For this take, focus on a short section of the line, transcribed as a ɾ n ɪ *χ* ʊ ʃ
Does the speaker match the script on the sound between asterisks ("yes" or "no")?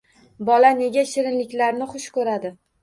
yes